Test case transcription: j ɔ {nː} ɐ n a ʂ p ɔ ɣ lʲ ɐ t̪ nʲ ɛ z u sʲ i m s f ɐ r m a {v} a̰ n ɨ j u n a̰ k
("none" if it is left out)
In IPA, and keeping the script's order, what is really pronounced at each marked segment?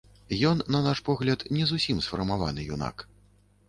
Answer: nː, v

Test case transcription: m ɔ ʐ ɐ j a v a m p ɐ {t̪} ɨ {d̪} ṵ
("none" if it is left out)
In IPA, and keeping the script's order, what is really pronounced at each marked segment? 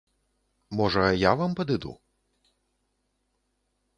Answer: d̪, d̪

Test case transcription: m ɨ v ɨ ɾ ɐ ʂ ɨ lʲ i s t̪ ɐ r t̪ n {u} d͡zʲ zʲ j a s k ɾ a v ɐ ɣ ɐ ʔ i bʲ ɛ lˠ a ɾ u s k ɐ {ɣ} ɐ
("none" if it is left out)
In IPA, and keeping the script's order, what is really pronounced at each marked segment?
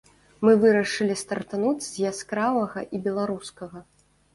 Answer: u, ɣ

